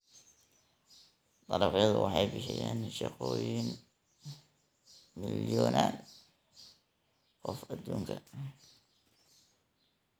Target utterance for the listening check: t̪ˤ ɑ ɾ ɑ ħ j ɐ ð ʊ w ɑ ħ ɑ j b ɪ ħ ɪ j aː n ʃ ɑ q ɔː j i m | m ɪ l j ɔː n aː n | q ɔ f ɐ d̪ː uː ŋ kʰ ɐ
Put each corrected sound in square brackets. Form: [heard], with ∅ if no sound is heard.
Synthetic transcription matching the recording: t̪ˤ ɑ ɾ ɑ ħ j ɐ ð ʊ w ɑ ħ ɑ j b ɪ ħ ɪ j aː n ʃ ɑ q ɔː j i [n] | m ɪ l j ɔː n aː n | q ɔ f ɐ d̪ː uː ŋ kʰ ɐ